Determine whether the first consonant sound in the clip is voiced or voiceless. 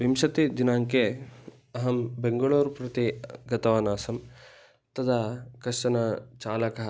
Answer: voiced